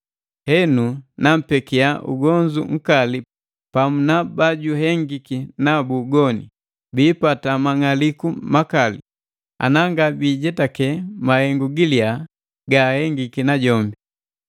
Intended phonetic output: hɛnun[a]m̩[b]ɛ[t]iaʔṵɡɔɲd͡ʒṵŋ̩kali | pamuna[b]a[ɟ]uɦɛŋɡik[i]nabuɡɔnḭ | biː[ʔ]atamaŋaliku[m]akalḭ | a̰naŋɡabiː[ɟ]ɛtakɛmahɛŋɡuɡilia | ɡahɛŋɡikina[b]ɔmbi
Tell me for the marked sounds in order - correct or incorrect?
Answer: correct, incorrect, incorrect, correct, correct, correct, incorrect, correct, correct, incorrect

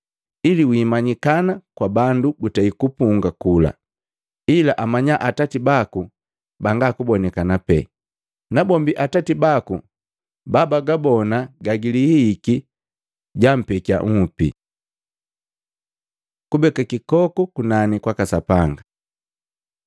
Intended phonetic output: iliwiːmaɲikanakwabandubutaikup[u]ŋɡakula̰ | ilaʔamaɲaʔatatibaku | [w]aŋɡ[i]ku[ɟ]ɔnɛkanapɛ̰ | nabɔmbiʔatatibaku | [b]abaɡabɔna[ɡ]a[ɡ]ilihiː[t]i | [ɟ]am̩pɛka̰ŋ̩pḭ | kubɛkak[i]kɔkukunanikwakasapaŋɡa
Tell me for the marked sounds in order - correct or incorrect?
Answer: correct, incorrect, incorrect, incorrect, correct, correct, correct, incorrect, correct, correct

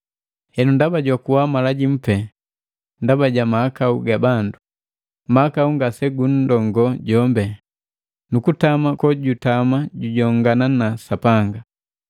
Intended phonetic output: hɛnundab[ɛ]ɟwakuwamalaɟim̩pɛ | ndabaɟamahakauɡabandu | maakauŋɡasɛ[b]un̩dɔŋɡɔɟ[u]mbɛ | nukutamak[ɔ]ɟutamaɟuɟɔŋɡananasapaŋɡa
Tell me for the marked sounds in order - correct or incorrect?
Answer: incorrect, incorrect, incorrect, correct

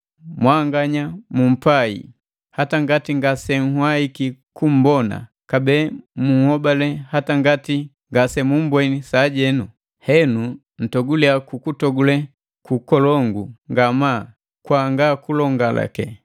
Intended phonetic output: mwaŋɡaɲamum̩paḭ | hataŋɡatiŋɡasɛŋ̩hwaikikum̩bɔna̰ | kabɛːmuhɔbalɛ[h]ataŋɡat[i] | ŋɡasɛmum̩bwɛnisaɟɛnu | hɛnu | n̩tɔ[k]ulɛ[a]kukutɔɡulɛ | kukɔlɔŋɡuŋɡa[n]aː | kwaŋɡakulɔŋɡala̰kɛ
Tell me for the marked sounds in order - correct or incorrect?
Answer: correct, correct, incorrect, correct, incorrect

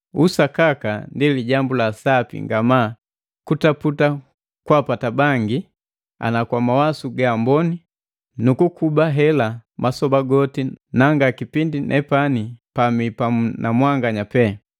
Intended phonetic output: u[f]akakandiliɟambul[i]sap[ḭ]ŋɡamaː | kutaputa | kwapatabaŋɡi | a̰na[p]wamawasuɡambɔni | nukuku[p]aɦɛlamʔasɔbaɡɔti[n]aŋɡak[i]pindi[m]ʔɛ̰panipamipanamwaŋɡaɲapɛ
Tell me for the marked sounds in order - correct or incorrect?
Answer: incorrect, incorrect, correct, incorrect, incorrect, correct, correct, incorrect

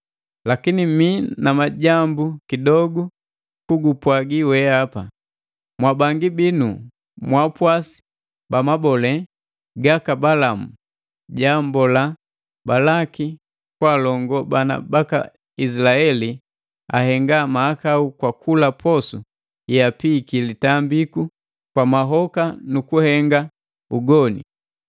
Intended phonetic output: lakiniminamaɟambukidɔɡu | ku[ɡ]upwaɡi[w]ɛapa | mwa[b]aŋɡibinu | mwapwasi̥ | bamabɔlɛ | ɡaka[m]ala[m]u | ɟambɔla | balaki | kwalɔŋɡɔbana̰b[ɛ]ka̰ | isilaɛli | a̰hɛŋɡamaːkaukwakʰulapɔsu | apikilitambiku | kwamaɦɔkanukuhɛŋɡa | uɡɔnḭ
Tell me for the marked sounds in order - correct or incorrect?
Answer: correct, correct, correct, incorrect, correct, incorrect

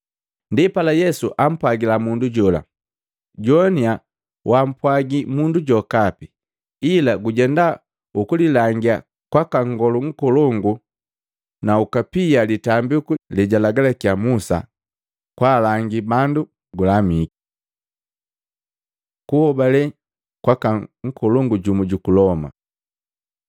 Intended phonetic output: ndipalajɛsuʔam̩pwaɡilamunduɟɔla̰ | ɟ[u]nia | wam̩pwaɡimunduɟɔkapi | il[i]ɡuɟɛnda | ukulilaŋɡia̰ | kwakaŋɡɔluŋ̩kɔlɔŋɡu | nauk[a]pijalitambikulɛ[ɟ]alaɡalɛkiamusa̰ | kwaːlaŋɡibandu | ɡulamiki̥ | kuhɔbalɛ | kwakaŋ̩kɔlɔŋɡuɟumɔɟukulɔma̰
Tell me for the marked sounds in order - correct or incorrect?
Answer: incorrect, incorrect, correct, correct

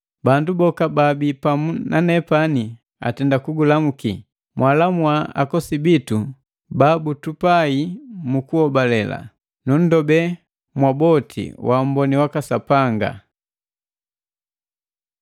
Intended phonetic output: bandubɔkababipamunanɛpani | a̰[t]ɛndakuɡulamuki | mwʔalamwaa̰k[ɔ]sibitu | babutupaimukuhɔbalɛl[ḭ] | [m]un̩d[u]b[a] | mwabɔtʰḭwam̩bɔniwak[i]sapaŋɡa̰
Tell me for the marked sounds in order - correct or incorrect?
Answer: correct, correct, incorrect, incorrect, incorrect, incorrect, incorrect

